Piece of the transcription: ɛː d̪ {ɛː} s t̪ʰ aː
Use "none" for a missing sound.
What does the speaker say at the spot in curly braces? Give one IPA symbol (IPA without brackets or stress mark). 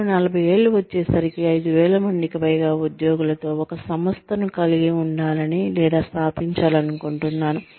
aː